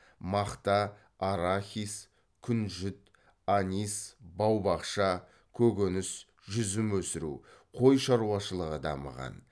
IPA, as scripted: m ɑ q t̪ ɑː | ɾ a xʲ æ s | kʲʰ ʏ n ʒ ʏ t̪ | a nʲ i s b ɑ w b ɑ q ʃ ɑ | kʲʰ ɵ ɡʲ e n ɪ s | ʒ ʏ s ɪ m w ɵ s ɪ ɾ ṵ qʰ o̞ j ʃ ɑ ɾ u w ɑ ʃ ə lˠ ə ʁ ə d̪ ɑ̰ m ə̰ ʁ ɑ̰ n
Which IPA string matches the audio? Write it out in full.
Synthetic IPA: m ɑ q t̪ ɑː | ɾ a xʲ i s | kʲʰ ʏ n ʒ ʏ t̪ | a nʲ i s b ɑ w b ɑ q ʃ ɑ | kʲʰ ɵ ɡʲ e n ɪ s | ʒ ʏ z ɪ m w ɵ s ɪ ɾ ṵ qʰ o̞ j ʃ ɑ ɾ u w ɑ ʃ ə lˠ ə ʁ ə d̪ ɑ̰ m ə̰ ʁ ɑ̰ n